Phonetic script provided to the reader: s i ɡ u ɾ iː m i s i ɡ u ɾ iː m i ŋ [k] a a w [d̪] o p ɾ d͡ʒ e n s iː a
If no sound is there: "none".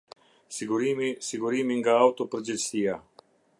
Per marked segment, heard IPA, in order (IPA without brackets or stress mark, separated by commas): ɡ, t̪